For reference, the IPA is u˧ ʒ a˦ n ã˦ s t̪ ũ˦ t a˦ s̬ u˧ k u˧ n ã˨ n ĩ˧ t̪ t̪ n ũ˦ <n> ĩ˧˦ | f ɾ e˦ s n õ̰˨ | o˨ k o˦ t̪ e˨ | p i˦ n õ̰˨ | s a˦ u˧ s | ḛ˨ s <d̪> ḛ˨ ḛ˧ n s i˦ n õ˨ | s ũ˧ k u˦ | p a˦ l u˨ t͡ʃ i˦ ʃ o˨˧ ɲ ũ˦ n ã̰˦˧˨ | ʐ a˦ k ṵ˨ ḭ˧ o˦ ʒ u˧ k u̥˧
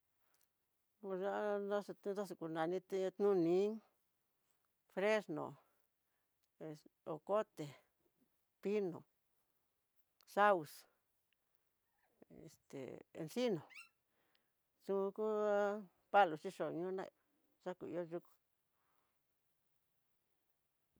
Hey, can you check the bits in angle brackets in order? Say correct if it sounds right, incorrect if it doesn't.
correct, incorrect

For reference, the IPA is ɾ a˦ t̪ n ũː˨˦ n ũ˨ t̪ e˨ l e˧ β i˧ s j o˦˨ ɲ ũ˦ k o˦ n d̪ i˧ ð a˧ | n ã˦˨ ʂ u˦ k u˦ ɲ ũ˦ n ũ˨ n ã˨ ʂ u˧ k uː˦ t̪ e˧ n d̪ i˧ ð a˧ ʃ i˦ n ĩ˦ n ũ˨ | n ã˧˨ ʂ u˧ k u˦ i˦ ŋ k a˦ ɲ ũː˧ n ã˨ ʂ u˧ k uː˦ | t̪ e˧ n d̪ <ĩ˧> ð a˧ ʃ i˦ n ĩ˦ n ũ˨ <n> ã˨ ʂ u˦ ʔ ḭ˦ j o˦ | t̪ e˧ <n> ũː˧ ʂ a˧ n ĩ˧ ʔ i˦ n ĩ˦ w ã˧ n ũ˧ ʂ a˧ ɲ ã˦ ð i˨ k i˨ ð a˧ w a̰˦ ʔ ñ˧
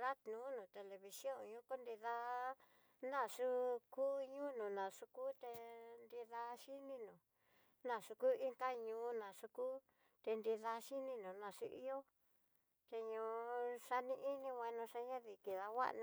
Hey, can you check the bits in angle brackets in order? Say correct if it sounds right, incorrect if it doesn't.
incorrect, correct, incorrect

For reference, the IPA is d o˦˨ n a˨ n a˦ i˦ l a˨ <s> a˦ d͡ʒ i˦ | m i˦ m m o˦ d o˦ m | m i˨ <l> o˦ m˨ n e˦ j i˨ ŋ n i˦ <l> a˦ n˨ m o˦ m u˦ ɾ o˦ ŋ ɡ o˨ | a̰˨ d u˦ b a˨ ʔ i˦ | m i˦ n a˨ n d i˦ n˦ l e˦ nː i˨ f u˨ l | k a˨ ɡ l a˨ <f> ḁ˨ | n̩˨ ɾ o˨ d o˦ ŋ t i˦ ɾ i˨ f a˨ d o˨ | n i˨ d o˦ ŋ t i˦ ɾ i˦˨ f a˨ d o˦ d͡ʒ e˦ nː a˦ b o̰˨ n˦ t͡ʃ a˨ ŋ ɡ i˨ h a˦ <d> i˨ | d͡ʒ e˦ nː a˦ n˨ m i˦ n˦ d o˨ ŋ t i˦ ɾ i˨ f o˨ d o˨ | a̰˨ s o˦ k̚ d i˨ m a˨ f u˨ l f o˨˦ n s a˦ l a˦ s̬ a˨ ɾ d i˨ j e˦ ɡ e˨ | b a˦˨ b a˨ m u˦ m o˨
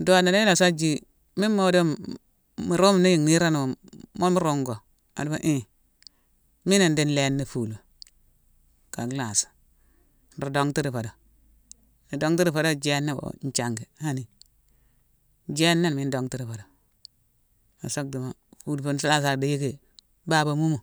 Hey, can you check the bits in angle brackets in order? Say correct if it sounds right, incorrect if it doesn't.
correct, incorrect, incorrect, incorrect, incorrect

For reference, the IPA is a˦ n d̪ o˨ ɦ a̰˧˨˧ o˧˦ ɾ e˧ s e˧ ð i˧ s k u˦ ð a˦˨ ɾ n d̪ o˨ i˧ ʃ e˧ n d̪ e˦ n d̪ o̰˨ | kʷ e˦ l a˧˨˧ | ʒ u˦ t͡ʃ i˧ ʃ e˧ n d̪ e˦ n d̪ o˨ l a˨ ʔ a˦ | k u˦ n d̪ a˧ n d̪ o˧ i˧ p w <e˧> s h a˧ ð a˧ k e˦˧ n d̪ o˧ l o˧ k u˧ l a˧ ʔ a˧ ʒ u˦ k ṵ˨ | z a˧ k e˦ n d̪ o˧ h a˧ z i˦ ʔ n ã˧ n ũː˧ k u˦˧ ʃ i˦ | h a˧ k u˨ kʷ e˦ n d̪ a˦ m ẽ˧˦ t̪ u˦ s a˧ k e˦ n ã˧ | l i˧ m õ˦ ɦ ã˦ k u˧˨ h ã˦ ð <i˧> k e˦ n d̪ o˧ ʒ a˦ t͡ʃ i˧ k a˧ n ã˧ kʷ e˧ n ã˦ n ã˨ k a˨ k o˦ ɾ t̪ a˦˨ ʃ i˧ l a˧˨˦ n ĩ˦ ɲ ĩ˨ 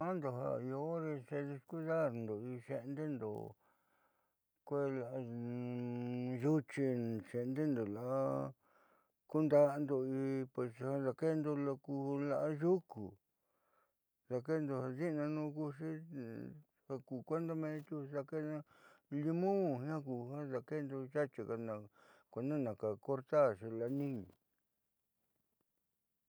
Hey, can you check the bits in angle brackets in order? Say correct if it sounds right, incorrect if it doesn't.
correct, incorrect

